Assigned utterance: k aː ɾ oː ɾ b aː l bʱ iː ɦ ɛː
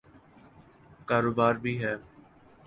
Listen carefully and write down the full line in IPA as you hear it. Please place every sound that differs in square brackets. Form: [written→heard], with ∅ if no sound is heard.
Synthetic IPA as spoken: k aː ɾ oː [ɾ→∅] b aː [l→ɾ] bʱ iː ɦ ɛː